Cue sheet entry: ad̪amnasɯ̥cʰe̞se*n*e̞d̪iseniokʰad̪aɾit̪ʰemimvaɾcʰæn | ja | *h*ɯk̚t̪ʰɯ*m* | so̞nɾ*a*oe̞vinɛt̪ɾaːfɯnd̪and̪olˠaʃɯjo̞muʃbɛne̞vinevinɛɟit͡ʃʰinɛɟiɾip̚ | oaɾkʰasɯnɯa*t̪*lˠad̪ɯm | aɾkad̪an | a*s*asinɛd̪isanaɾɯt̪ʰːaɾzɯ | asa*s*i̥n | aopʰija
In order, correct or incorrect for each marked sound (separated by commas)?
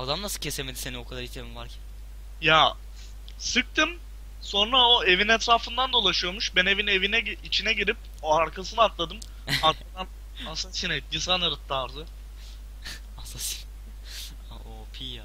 incorrect, incorrect, correct, correct, correct, correct, correct